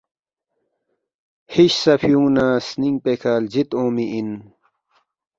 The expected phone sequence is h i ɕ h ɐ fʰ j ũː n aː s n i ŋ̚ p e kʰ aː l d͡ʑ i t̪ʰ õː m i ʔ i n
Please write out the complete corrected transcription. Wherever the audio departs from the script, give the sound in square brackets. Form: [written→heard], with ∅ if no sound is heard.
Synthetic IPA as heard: h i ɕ [h→s] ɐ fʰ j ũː n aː s n i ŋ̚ p e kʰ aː l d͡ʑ i [t̪ʰ→t̪] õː m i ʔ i n